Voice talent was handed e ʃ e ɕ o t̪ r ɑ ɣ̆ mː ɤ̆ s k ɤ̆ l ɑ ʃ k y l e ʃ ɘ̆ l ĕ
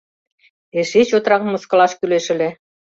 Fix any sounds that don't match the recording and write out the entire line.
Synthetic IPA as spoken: e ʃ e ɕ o t̪ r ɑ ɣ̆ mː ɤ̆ s k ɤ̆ l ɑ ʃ k y l e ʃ ɘ̆ l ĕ